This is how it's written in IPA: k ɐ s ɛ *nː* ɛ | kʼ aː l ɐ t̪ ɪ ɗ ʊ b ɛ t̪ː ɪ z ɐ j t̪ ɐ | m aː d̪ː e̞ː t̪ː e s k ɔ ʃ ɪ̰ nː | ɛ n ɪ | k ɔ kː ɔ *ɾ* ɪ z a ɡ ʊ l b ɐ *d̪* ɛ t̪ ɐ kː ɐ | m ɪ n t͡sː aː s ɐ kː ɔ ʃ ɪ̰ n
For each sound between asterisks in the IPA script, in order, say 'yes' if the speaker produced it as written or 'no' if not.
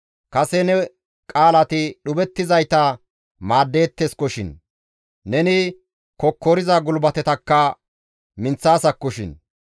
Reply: no, yes, no

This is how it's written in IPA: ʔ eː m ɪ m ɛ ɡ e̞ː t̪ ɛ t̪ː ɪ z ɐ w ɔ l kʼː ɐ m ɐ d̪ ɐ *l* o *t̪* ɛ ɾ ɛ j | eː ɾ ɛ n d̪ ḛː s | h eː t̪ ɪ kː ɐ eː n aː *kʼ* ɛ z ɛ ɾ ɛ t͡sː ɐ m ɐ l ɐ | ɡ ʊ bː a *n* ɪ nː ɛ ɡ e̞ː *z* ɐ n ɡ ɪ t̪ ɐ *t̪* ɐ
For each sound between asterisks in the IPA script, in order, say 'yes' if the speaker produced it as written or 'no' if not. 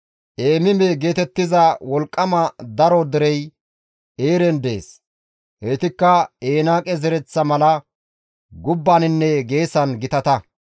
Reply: no, no, yes, yes, no, yes

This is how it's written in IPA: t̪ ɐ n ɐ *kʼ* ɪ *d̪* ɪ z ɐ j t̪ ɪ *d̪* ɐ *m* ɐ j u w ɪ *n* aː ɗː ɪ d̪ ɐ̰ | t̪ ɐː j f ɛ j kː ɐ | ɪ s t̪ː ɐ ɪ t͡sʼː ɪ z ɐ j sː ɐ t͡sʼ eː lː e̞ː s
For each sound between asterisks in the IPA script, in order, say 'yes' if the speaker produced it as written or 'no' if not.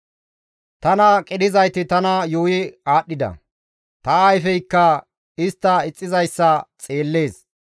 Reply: yes, yes, no, no, no

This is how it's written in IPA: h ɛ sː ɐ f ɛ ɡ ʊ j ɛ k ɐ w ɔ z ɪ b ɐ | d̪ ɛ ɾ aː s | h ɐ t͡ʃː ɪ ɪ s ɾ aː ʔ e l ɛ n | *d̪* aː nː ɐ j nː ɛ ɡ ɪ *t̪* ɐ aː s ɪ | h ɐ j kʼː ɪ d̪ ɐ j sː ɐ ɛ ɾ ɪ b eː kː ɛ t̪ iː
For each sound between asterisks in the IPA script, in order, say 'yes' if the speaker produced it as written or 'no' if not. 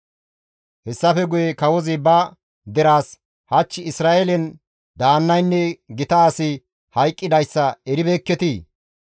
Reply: yes, yes

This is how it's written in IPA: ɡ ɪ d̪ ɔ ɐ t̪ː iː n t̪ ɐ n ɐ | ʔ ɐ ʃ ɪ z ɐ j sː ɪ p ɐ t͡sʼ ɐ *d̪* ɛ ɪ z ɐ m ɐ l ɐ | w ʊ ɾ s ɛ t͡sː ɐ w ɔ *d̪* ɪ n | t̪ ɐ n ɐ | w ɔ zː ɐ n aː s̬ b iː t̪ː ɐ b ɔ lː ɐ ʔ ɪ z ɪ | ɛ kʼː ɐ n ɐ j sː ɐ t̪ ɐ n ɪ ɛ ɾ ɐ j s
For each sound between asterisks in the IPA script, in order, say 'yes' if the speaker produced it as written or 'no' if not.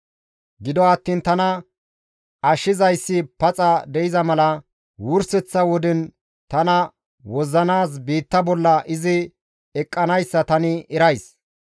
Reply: yes, yes

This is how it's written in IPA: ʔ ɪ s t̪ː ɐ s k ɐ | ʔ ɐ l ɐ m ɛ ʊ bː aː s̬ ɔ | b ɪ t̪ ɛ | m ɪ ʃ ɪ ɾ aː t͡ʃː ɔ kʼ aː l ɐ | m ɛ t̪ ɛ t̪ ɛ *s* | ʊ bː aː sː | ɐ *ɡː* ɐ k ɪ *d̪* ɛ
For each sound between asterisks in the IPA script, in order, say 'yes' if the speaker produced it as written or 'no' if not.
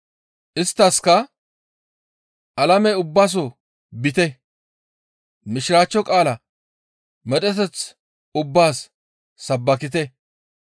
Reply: no, no, no

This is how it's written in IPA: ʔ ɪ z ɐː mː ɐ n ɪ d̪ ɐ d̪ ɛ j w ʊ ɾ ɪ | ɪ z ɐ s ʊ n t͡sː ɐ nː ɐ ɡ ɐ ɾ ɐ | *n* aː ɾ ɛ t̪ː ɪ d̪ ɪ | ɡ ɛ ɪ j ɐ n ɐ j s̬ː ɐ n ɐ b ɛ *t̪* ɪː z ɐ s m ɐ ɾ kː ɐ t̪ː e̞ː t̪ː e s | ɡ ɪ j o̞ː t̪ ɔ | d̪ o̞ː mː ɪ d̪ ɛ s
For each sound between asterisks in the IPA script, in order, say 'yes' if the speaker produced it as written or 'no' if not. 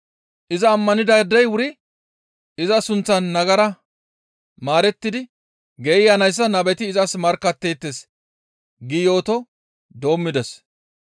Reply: no, yes

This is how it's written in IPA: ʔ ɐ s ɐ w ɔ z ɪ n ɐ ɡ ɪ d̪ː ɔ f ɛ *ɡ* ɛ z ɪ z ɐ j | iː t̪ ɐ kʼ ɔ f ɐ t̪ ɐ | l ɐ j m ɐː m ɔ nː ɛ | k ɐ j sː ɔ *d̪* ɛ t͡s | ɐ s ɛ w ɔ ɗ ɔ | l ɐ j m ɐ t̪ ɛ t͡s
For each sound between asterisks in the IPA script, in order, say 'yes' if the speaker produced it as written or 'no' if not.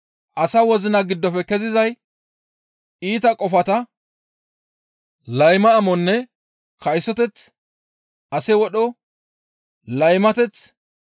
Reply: no, no

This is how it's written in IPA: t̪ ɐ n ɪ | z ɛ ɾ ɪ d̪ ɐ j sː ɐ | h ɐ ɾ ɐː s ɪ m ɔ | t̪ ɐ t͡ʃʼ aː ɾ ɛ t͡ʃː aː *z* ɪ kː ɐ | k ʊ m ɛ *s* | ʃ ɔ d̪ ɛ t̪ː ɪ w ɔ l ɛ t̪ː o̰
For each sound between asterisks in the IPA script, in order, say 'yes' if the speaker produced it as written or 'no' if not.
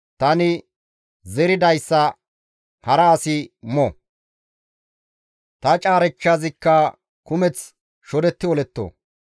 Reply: yes, no

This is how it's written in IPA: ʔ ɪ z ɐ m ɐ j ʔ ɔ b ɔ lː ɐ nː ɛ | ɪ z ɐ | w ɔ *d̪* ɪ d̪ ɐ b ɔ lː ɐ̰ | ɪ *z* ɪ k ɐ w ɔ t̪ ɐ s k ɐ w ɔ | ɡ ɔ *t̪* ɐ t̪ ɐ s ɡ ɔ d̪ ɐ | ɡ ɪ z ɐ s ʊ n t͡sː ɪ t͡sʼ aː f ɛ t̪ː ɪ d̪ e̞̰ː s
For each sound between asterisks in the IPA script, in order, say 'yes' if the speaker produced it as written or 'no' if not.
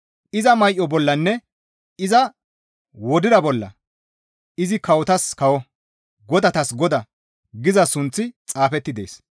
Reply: yes, yes, no

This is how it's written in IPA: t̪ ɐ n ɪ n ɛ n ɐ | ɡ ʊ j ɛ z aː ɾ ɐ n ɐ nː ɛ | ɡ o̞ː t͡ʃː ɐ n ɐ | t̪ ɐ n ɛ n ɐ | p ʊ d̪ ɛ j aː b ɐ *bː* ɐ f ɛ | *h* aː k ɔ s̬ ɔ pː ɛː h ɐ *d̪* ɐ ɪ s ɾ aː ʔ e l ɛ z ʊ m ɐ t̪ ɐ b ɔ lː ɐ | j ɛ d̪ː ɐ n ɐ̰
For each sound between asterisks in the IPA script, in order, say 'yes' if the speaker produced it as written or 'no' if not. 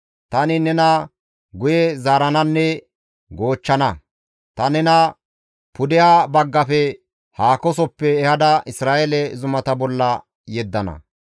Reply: no, yes, yes

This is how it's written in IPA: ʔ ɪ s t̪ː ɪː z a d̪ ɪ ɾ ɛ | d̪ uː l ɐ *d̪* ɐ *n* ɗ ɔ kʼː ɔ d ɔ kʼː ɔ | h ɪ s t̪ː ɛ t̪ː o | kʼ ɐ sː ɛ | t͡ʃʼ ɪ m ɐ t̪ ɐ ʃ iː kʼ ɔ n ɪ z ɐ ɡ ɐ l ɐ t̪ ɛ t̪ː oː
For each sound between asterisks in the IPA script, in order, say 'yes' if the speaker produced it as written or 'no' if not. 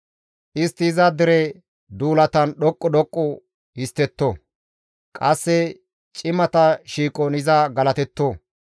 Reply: no, yes

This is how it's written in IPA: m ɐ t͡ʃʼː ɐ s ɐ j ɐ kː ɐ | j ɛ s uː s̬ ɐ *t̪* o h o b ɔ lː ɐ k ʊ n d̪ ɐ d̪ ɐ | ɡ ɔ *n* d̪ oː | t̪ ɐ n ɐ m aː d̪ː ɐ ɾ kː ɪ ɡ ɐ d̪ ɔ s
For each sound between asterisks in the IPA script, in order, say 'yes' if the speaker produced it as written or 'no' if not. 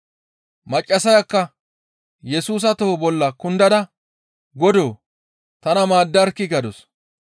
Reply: yes, no

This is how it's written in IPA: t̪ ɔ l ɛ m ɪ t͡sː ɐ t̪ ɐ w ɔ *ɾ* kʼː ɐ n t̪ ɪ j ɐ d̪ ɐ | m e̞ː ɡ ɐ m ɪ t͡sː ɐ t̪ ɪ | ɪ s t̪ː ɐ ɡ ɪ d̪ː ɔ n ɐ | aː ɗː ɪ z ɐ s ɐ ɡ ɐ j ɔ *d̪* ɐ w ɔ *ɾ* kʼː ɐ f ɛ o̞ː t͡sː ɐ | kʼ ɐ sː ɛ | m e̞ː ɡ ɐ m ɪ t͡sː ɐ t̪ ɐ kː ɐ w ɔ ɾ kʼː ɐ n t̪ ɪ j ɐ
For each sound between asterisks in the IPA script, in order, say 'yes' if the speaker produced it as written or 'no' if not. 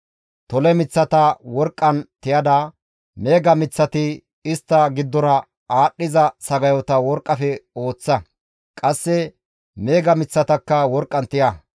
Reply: yes, no, yes

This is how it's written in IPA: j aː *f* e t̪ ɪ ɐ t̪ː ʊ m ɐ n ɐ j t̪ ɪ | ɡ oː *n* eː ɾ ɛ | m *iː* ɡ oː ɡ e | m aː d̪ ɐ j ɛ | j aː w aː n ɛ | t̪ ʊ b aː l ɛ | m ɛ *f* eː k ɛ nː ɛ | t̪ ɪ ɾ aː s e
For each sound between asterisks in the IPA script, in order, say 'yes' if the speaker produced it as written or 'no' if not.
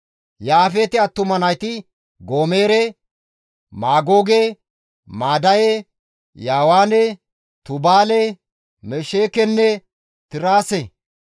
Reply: yes, no, no, no

